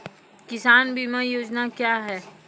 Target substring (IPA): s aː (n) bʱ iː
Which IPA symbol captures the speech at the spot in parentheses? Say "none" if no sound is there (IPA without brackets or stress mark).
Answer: n